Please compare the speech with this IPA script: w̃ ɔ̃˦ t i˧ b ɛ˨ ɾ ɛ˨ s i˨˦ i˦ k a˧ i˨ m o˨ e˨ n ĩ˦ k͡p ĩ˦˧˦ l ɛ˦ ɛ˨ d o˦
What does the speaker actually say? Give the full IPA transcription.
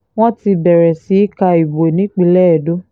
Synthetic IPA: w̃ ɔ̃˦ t i˧ b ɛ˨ ɾ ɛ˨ s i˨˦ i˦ k a˧ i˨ b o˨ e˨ n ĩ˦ k͡p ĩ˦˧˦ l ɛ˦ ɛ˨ d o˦